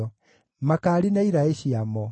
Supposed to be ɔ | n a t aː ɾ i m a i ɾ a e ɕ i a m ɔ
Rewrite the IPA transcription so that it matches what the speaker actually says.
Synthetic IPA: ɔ | m a k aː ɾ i n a i ɾ a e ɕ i a m ɔ

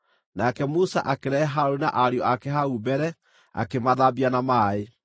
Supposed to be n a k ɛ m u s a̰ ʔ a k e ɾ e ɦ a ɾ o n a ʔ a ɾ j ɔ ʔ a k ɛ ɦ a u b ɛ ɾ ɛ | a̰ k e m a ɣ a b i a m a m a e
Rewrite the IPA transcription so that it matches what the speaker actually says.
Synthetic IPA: n a k ɛ m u s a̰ ʔ a k e ɾ ɛ ɦ a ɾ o n a ʔ a ɾ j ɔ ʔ a k ɛ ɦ a u b ɛ ɾ ɛ | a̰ k e m a ð a b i a n a m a e

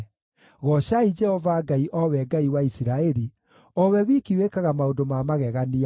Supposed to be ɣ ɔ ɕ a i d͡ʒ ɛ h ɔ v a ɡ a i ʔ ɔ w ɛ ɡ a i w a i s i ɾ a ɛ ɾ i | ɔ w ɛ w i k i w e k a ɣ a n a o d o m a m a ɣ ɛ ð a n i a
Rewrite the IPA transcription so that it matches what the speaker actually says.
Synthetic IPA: ɣ ɔ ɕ a i d͡ʒ ɛ h ɔ v a ɡ a i ʔ ɔ w ɛ ɡ a i w a i s i ɾ a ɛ ɾ i | ɔ w ɛ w i k i w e k a ɣ a m a o d o m a m a ɣ ɛ ɣ a n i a

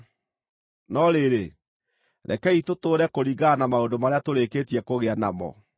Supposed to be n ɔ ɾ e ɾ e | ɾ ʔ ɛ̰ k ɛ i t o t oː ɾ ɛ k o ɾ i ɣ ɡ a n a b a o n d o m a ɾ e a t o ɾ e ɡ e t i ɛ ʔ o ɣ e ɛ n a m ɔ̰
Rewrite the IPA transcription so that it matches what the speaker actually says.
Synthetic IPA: n ɔ ɾ e ɾ e | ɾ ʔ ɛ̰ k ɛ i t o t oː ɾ ɛ k o ɾ i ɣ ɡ a n a m a o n d o m a ɾ e a t o ɾ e k e t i ɛ k o ɣ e a n a m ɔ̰

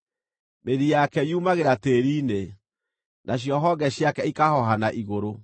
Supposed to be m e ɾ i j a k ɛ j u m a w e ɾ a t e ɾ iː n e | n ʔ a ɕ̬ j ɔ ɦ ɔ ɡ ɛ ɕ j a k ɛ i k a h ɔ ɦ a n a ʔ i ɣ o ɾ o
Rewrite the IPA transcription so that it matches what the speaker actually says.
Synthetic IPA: m e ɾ i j a k ɛ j u m a ɣ e ɾ a t e ɾ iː n e | n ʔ a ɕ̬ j ɔ ɦ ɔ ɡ ɛ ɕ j a k ɛ i k a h ɔ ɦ a n a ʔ i ɣ o ɾ o

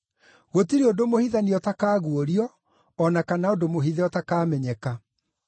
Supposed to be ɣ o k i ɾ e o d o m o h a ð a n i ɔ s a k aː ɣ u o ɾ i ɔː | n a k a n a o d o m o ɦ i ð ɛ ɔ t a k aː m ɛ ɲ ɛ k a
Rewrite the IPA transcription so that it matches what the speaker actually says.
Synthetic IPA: ɣ o t i ɾ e o d o m o h i ð a n i ɔ t a k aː ɣ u o ɾ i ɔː | n a k a n a o d o m o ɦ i ð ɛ ɔ t a k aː m ɛ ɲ ɛ k a

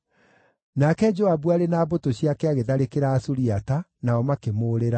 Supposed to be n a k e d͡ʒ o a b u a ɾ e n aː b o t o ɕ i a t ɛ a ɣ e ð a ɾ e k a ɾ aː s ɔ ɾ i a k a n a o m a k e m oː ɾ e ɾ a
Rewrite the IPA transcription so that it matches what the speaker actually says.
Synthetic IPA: n a k ɛ d͡ʒ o a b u a ɾ e n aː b o t o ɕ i a k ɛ a ɣ e ð a ɾ e k e ɾ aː s u ɾ i a t a n a ɔ m a k e m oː ɾ e ɾ a

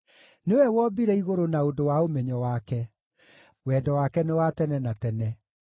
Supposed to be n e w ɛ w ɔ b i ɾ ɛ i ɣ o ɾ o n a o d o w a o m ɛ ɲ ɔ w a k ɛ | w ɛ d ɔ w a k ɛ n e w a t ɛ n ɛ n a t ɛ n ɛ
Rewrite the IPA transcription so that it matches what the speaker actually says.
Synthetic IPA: n e w ɛ w ɔ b i ɾ ɛ i ɣ o ɾ o n a o d o w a o m ɛ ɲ ɔ w a k ɛ | w ɛ d ɔ w a k ɛ n e w a t ɛ n ɛ n a t ɛ n ɛ

